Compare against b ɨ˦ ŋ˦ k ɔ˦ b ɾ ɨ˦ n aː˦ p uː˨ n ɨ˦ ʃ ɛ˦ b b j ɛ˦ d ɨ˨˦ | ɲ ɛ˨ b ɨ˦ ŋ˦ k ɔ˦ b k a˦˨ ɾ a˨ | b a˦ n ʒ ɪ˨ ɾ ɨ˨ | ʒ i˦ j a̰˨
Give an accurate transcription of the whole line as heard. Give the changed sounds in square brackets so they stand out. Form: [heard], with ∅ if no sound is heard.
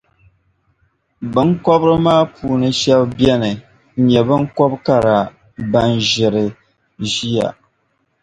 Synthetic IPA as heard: b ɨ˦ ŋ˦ k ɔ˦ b ɾ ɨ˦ [m] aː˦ p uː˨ n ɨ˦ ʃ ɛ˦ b b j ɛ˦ [n] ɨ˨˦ | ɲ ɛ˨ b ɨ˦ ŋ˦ k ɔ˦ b k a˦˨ ɾ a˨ | b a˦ n ʒ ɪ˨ ɾ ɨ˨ | ʒ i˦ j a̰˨